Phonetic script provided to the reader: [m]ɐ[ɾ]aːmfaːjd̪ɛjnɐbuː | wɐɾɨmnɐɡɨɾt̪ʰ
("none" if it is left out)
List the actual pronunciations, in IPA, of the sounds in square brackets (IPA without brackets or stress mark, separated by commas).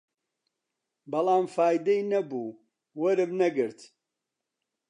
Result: b, l